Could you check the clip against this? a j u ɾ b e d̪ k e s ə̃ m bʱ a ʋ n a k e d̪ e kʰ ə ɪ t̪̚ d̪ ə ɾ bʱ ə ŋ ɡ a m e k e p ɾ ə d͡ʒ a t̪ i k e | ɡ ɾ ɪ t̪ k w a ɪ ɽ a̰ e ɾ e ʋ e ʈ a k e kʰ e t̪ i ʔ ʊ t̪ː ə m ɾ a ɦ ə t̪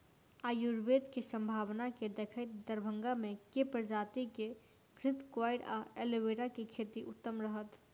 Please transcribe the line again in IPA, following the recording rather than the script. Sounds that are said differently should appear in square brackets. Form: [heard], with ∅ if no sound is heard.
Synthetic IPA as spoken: a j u ɾ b e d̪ k e s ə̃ m bʱ a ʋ n a k e d̪ e kʰ ə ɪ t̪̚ d̪ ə ɾ bʱ ə ŋ ɡ a m e k e p ɾ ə d͡ʒ a t̪ i k e | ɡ ɾ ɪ t̪ k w a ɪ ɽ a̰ e [l] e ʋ e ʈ a k e kʰ e t̪ i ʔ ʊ t̪ː ə m ɾ [ə] ɦ ə t̪